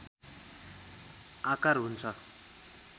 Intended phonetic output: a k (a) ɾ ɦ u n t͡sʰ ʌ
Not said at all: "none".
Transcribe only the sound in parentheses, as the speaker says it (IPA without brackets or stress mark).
a